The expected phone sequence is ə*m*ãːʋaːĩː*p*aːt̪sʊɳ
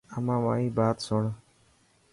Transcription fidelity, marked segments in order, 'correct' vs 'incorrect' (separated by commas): correct, incorrect